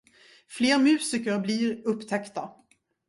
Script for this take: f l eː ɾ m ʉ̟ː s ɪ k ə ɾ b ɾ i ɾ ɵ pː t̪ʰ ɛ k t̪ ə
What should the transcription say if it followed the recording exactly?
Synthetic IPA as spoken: f l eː ɾ m ʉ̟ː s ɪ k ə ɾ b l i ɾ ɵ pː t̪ʰ ɛ k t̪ a